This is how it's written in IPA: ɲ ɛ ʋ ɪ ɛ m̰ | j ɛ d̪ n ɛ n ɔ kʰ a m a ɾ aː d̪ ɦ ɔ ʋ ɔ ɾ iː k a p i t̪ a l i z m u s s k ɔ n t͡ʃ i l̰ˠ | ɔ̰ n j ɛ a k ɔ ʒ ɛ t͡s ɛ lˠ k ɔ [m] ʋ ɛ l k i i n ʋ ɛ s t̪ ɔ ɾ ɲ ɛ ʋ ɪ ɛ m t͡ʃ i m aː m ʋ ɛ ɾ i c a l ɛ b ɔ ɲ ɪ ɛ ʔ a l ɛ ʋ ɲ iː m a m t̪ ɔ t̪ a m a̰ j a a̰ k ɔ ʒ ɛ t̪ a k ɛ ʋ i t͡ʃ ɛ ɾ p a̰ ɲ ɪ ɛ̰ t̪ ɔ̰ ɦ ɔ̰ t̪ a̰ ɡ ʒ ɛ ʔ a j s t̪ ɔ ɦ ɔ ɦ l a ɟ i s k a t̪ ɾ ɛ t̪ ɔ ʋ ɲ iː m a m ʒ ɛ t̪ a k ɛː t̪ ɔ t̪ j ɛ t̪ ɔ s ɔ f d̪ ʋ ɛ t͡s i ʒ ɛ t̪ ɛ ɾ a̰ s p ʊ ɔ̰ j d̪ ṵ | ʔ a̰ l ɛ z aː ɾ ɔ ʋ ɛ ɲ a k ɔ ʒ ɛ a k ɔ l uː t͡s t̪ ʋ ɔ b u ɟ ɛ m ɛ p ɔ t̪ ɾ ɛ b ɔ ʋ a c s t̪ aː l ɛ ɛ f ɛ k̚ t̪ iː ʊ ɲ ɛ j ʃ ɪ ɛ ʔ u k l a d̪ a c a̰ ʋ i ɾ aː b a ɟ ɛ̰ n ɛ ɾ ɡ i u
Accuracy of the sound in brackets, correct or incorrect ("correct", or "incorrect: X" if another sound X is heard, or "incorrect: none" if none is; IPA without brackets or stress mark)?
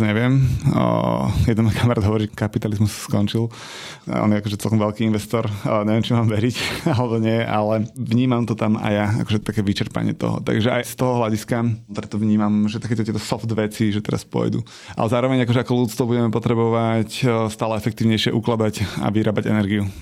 correct